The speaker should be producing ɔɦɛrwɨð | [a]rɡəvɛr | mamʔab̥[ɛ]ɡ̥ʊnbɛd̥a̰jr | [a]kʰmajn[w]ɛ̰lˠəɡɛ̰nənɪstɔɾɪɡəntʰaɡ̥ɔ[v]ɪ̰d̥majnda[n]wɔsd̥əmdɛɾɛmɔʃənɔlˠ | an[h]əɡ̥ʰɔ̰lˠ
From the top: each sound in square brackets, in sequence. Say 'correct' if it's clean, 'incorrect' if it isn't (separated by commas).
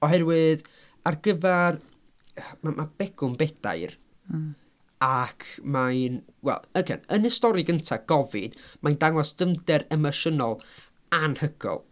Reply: correct, correct, correct, correct, correct, incorrect, correct